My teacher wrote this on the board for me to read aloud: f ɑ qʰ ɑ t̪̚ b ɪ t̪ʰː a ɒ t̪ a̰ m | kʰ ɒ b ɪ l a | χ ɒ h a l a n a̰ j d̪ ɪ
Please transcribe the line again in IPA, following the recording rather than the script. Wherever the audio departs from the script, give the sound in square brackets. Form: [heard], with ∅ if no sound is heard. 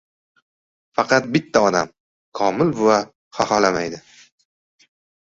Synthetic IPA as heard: f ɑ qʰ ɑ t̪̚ b ɪ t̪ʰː a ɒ [d̪] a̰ m | kʰ ɒ [m] ɪ l a | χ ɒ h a l a [m] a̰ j d̪ ɪ